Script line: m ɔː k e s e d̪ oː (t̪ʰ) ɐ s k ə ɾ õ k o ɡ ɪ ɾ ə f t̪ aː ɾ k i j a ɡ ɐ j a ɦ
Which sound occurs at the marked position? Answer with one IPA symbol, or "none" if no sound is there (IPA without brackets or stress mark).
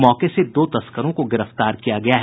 t̪